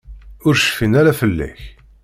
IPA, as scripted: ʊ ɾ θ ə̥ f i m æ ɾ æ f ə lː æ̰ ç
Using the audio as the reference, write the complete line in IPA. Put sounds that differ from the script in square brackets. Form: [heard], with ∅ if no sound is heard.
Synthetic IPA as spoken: ʊ ɾ [ʃ] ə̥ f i [n] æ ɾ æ f ə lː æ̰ ç